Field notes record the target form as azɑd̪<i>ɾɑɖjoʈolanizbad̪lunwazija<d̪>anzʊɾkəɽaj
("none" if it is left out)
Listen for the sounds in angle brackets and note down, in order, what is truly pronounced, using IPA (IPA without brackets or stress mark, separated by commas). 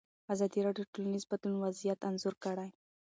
i, t̪